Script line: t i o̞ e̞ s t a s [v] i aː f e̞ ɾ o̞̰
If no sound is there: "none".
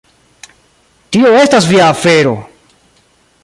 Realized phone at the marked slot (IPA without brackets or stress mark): v